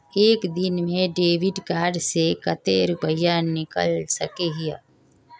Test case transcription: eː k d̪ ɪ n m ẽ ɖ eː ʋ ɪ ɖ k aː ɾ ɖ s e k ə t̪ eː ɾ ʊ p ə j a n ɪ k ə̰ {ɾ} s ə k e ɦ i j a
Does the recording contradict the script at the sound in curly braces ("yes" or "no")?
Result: yes